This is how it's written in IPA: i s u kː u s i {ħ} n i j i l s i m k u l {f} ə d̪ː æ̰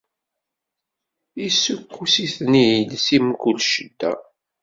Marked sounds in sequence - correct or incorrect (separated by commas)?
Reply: incorrect, incorrect